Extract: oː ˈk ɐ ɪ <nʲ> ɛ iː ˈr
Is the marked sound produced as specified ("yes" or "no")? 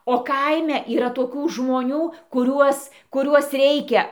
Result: no